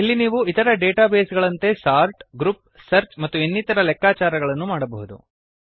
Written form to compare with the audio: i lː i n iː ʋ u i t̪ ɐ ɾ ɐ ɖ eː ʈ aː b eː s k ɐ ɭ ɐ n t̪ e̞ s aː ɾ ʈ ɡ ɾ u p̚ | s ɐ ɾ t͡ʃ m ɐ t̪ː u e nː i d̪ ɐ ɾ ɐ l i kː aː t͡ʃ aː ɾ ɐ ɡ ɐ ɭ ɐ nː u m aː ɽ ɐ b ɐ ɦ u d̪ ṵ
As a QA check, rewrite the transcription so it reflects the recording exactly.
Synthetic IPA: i lː i n iː ʋ u i t̪ ɐ ɾ ɐ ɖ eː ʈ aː b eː s ɡ ɐ ɭ ɐ n t̪ e̞ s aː ɾ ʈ ɡ ɾ u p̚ | s ɐ ɾ t͡ʃ m ɐ t̪ː u e nː i t̪ ɐ ɾ ɐ l ɛ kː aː t͡ʃ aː ɾ ɐ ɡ ɐ ɭ ɐ nː u m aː ɽ ɐ b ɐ ɦ u d̪ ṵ